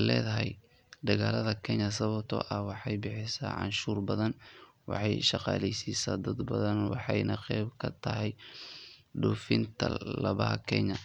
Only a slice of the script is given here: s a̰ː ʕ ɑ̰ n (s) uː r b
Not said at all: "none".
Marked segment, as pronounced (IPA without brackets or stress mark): ʃ